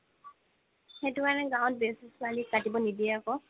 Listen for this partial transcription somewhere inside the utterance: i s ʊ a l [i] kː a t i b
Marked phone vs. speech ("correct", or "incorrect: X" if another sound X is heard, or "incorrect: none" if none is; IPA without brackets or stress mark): correct